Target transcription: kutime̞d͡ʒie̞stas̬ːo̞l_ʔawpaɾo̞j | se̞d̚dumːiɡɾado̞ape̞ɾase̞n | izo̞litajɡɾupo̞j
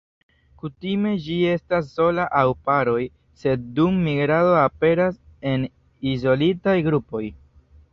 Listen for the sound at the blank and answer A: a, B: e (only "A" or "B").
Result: A